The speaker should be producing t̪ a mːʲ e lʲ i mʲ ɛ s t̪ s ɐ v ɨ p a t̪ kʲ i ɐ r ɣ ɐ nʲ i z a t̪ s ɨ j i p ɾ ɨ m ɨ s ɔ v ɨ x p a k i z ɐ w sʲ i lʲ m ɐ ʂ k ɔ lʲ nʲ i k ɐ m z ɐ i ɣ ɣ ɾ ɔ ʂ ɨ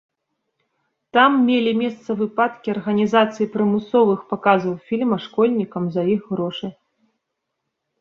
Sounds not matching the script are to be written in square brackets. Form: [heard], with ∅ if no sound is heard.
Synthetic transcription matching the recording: t̪ a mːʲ e lʲ i mʲ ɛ s t̪ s ɐ v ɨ p a t̪ kʲ i ɐ r ɣ ɐ nʲ i z a t̪ s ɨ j i p ɾ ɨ m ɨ s ɔ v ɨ x p a k [a] z ɐ w [fʲ] i lʲ m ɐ ʂ k ɔ lʲ nʲ i k ɐ m z ɐ i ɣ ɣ ɾ ɔ ʂ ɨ